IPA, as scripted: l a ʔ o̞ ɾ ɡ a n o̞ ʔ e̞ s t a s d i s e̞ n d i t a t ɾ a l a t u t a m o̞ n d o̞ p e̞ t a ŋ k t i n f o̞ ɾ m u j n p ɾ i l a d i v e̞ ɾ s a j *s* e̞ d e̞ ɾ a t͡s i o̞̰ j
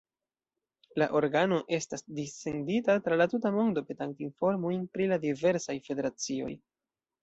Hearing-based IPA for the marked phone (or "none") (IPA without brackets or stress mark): f